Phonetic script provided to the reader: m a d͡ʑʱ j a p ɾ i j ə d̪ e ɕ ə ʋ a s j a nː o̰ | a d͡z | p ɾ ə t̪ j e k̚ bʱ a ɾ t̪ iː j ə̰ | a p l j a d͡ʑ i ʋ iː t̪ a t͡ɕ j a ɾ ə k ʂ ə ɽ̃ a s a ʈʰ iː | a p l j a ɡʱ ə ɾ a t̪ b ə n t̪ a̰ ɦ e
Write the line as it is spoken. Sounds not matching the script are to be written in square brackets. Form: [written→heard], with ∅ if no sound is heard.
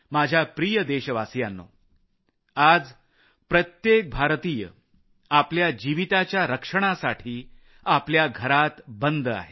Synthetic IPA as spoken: m a d͡ʑʱ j a p ɾ i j ə d̪ e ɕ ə ʋ a s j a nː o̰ | a d͡z | p ɾ ə t̪ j e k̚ bʱ a ɾ t̪ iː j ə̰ | a p l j a d͡ʑ i ʋ [iː→i] t̪ a t͡ɕ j a ɾ ə k ʂ ə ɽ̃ a s a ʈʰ iː | a p l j a ɡʱ ə ɾ a t̪ b ə n [t̪→d̪] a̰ ɦ e